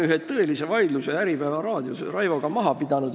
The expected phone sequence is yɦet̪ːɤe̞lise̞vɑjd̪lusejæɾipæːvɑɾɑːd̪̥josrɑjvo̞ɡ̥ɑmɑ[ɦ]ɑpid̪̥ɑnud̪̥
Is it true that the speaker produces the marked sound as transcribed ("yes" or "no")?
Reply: yes